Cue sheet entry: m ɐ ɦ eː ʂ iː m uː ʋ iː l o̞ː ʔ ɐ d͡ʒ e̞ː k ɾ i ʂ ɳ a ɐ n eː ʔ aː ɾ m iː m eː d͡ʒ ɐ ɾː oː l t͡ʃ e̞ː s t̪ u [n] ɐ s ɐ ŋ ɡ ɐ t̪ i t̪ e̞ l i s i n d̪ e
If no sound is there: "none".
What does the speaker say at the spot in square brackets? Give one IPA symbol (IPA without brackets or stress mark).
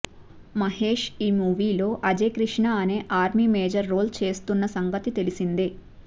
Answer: nː